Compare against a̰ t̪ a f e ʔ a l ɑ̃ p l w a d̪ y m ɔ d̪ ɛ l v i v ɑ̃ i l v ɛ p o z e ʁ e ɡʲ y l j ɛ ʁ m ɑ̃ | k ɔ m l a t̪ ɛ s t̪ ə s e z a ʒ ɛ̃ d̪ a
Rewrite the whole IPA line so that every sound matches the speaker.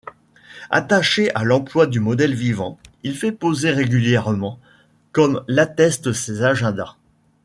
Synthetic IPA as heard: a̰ t̪ a ʃ e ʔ a l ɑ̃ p l w a d̪ y m ɔ d̪ ɛ l v i v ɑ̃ i l f ɛ p o z e ʁ e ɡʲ y l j ɛ ʁ m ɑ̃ | k ɔ m l a t̪ ɛ s t̪ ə s e z a ʒ ɛ̃ d̪ a